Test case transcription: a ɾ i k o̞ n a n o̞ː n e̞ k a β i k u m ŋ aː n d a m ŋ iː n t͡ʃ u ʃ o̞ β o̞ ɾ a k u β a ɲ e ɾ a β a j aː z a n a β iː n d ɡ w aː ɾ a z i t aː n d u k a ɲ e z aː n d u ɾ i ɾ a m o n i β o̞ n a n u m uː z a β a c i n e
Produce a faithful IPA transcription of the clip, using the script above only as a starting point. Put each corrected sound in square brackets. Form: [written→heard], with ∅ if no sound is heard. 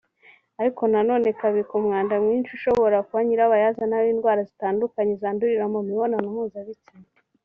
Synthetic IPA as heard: a ɾ i k o̞ n a n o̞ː n e̞ k a β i k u m ŋ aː n d a m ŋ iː n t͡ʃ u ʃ o̞ β o̞ ɾ a k u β a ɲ [e→i] ɾ a β a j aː z a n a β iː n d ɡ w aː ɾ a z i t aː n d u k a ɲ e z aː n d u ɾ i ɾ a m o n i β o̞ n a n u m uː z a β [a→i] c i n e

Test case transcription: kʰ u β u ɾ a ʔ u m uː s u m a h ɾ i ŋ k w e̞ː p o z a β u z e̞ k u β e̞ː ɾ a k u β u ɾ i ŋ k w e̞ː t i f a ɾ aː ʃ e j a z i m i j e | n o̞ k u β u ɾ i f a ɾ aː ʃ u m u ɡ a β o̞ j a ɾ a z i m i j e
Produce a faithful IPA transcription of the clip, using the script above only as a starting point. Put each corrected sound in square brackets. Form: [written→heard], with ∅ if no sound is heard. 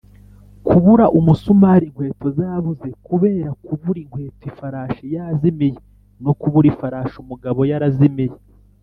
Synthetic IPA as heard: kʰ u β u ɾ a ʔ u m [uː→u] s u m a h ɾ i ŋ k w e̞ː [p→t] o z a β u z e̞ k u β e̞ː ɾ a k u β u ɾ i ŋ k w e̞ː t i f a ɾ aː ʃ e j a z i m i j e | n o̞ k u β u ɾ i f a ɾ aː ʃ u m u ɡ a β o̞ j a ɾ a z i m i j e

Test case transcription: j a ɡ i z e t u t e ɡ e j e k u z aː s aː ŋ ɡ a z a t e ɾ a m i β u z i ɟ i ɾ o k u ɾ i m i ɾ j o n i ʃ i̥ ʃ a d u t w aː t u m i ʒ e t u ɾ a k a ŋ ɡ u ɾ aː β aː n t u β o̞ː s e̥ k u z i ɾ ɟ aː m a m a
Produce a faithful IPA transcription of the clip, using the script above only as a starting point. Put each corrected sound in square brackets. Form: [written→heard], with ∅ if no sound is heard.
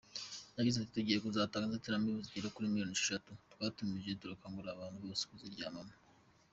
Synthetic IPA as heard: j a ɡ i z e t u t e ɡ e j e k u z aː [s→t] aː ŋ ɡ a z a t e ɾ a m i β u z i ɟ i ɾ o k u ɾ i m i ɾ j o n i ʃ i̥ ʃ a [d→t] u t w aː t u m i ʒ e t u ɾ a k a ŋ ɡ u ɾ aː β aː n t u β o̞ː s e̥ k u z i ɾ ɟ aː m a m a

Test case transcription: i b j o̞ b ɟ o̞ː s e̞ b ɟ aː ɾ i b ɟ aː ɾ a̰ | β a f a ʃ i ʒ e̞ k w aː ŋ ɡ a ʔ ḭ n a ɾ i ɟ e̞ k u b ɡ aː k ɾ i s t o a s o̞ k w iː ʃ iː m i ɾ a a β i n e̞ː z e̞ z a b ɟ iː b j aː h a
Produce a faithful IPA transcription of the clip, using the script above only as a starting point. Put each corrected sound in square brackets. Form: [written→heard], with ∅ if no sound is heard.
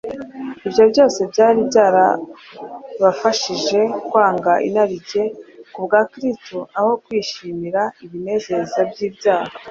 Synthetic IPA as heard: i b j o̞ b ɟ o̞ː s e̞ b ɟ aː ɾ i b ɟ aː ɾ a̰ | β a f a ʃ i ʒ e̞ k w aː ŋ ɡ a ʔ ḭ n a ɾ i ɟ e̞ k u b ɡ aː k ɾ i s t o a [s→h] o̞ k w iː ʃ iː m i ɾ a [a→i] β i n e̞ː z e̞ z a b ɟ iː b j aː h a

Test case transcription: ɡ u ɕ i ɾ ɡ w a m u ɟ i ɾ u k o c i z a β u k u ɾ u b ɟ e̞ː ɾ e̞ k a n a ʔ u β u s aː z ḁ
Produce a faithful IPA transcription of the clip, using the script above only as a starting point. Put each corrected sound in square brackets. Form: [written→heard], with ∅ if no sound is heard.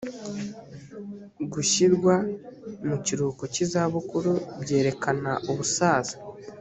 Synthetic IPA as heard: ɡ u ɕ i ɾ ɡ w a m u [ɟ→c] i ɾ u k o c i z a β u k u ɾ u b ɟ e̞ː ɾ e̞ k a n a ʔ u β u s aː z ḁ

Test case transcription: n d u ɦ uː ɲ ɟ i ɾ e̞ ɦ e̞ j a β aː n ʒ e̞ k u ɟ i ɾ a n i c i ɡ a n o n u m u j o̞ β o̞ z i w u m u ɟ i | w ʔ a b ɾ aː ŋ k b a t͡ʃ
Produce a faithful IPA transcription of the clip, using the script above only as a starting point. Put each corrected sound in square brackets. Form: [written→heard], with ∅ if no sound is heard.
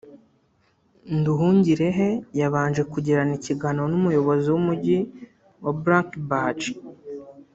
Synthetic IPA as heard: n d u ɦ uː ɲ ɟ i ɾ e̞ ɦ e̞ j a β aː n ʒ e̞ k u ɟ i ɾ a n i c i ɡ a n o n u m u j o̞ β o̞ z i w u m u ɟ i | w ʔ a b ɾ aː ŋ k b a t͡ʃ

